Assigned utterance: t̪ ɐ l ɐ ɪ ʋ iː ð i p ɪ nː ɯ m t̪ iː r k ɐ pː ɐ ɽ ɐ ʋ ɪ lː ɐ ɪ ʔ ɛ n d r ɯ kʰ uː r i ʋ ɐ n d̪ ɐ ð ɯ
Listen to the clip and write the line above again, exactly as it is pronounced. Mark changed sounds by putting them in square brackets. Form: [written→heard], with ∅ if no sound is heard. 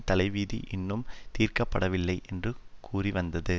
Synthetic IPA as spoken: t̪ ɐ l ɐ ɪ ʋ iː ð i [p→ʔ] ɪ nː ɯ m t̪ iː r k ɐ pː ɐ ɽ ɐ ʋ ɪ lː ɐ ɪ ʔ ɛ n d r ɯ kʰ uː r i ʋ ɐ n d̪ ɐ ð ɯ